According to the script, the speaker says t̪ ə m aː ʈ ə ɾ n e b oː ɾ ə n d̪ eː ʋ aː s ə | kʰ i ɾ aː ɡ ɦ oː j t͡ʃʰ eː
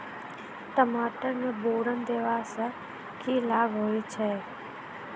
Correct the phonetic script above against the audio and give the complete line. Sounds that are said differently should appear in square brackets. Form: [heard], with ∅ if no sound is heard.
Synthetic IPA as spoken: t̪ ə m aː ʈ ə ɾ n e b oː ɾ ə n d̪ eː ʋ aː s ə | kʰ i [l] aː ɡ ɦ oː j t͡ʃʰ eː